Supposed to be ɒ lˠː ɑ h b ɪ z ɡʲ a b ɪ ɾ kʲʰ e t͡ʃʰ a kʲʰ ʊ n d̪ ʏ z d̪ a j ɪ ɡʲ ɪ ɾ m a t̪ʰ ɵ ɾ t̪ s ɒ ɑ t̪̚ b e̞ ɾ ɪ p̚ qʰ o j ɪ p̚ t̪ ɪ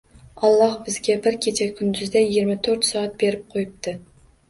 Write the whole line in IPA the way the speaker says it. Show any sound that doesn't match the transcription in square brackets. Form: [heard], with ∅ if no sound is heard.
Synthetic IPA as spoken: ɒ lˠː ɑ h b ɪ z ɡʲ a b ɪ ɾ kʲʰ e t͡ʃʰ a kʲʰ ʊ n d̪ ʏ z d̪ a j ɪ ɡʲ ɪ ɾ m a t̪ʰ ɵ ɾ t̪ s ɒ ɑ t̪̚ b e̞ ɾ ɪ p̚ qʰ o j ɪ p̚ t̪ ɪ